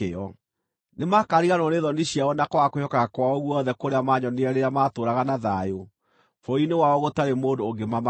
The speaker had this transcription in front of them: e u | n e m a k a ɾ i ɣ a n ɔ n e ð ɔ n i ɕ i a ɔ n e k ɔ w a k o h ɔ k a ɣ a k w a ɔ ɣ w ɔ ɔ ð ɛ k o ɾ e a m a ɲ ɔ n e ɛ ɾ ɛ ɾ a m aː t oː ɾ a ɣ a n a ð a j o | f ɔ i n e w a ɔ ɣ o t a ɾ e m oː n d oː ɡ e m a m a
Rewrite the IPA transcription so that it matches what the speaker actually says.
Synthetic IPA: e ɔ | n e m a k a ɾ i ɣ a n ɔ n e ð ɔ n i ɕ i a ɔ n a k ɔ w a k o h ɔ k a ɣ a k w a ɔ ɣ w ɔ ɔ ð ɛ k o ɾ e a m a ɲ ɔ n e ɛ ɾ e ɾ a m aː t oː ɾ a ɣ a n a ð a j o | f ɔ i n e w a ɔ ɣ o t a ɾ e m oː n d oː ɡ e m a m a